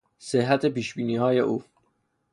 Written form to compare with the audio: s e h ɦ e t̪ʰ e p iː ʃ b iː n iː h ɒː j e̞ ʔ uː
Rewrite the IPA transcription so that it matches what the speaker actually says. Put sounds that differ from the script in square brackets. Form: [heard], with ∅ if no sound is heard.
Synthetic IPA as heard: s e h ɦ [æ] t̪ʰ e p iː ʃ b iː n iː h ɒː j e̞ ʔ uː